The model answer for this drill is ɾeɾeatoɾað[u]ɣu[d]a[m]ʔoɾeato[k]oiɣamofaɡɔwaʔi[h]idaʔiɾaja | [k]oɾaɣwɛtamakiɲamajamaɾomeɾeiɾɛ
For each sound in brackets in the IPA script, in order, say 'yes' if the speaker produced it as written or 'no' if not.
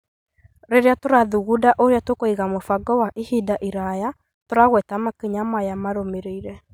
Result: yes, yes, no, yes, yes, no

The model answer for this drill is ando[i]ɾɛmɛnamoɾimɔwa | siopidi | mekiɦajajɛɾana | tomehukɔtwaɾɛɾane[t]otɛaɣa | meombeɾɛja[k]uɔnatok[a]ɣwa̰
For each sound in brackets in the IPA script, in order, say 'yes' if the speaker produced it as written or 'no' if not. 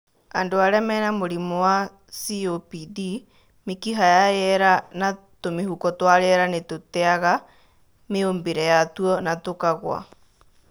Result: no, yes, no, yes

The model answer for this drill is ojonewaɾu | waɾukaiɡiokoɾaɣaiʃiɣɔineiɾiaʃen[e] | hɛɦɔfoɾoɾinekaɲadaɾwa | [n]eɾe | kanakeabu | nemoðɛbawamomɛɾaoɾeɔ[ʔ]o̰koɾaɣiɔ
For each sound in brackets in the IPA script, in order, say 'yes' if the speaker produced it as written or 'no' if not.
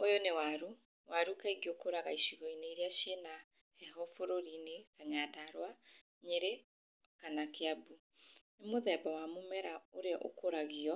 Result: no, no, yes

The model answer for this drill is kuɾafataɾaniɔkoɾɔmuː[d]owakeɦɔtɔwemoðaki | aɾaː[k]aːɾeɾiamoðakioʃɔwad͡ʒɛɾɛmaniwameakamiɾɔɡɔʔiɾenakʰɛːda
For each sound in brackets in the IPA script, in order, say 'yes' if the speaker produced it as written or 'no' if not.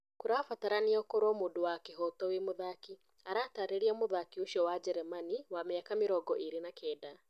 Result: yes, no

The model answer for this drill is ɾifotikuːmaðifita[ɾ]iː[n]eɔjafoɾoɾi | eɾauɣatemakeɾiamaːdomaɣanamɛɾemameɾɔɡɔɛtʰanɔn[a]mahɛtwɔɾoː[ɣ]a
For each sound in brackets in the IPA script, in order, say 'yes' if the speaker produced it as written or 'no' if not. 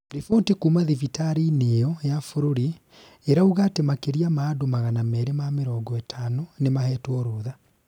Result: yes, yes, no, no

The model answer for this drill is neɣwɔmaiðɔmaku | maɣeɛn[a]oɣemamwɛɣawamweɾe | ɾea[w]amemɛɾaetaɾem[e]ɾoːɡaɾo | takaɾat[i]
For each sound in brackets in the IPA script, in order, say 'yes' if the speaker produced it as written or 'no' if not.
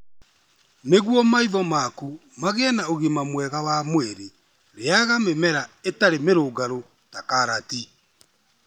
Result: yes, no, yes, yes

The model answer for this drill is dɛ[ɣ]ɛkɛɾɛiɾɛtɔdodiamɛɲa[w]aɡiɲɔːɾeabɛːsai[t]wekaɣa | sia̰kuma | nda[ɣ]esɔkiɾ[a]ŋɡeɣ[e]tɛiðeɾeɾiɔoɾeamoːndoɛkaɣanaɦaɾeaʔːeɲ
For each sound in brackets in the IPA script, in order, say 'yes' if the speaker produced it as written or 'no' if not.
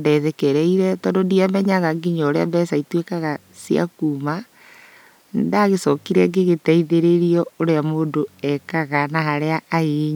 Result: no, no, yes, yes, no, yes

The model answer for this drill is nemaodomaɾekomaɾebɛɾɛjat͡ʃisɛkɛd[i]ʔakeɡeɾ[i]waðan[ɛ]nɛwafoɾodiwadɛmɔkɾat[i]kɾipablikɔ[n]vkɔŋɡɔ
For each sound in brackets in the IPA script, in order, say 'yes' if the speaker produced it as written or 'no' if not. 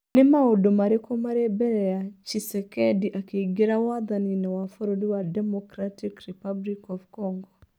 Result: yes, no, no, yes, no

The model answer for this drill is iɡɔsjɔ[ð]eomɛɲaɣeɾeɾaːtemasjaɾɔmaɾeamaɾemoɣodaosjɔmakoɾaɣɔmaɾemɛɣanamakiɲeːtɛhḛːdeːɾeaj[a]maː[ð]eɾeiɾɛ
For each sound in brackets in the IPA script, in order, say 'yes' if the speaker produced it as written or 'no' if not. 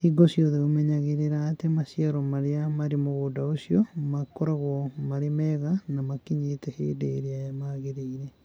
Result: yes, yes, no

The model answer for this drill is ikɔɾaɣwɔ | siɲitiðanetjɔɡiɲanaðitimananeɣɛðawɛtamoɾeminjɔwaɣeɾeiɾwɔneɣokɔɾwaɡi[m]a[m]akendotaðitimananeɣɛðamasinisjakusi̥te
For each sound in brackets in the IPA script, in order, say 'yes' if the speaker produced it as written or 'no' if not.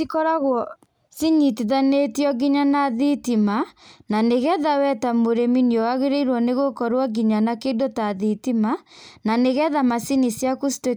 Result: no, no

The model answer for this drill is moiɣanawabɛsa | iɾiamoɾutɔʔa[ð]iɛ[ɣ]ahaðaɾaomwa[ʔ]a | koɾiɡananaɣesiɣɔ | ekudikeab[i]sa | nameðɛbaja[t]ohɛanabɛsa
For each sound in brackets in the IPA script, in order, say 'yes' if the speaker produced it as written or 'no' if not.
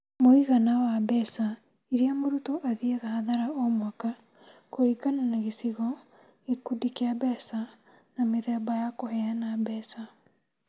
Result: yes, yes, no, no, no

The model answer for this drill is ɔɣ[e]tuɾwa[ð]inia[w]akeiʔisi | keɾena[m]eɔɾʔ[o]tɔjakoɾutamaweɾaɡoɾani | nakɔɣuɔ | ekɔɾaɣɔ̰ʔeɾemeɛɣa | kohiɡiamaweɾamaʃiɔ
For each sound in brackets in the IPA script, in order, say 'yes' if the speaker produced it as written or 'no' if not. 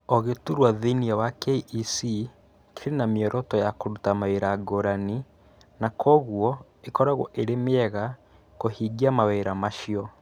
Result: yes, yes, yes, yes, no

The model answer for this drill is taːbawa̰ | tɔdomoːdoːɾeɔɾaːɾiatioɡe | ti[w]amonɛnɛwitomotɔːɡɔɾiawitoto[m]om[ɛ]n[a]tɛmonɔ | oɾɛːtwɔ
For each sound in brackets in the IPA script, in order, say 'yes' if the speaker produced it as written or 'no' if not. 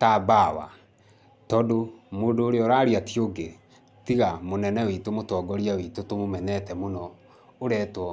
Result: no, yes, yes, no

